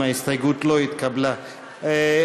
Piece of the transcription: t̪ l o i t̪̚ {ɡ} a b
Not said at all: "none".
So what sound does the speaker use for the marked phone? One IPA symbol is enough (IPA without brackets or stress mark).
k